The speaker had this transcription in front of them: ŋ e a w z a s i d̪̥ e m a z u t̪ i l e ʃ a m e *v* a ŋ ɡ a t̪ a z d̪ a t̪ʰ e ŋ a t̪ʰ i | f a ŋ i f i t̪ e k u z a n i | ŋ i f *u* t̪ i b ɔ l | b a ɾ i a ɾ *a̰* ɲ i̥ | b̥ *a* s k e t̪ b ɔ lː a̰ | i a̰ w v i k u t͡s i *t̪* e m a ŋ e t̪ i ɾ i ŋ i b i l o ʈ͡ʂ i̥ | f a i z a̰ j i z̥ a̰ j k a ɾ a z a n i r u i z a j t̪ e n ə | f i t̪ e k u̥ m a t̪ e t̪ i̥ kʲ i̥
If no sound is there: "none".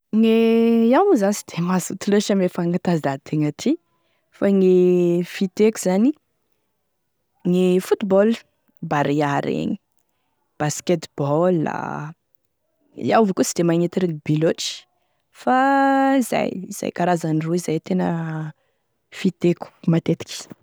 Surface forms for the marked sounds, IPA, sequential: f, u, ḛ, a, d̪

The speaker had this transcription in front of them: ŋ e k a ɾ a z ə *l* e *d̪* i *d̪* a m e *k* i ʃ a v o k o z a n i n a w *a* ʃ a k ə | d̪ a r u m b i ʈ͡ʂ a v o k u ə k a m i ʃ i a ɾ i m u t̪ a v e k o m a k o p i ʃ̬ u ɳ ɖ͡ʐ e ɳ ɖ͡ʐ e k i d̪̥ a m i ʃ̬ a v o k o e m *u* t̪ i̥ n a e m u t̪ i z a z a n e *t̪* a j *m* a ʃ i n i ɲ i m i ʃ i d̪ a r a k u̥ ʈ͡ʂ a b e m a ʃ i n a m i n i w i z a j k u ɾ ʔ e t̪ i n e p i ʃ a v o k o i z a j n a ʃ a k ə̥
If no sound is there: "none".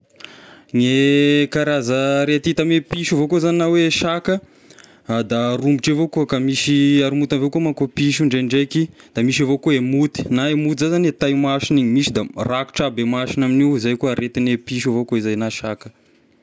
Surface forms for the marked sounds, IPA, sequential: ɾ, t̪, t̪, p, e, u, t̪, m

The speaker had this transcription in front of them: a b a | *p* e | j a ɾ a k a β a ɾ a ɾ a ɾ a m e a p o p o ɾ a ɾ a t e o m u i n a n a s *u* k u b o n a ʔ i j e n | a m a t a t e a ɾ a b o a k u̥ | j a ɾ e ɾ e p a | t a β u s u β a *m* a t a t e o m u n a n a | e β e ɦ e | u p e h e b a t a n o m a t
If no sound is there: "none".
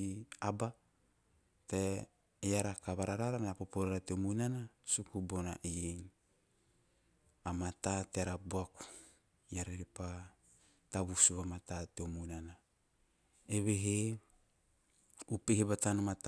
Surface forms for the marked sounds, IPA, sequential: t, u, m

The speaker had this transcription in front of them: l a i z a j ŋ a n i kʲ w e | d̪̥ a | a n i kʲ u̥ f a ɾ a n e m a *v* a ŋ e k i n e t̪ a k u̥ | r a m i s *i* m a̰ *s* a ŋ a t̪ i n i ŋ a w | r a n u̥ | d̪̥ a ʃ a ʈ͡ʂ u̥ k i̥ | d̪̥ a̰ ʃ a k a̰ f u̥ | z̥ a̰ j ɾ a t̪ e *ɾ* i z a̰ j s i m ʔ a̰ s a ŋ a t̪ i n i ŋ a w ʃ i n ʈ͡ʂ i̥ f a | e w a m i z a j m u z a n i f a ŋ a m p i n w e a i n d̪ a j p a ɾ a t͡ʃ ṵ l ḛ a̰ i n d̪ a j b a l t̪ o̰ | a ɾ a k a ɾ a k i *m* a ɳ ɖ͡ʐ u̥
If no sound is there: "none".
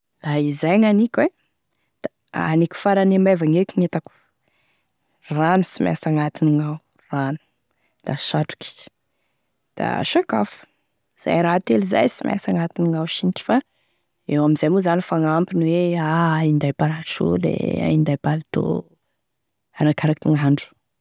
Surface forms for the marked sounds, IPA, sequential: v, i, s, l, ŋ

